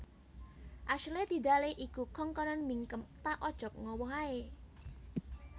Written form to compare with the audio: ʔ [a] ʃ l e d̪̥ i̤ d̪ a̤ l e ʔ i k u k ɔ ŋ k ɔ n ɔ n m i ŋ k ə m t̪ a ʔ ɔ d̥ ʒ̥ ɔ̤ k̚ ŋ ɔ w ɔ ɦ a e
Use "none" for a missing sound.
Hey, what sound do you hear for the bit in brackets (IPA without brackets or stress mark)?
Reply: a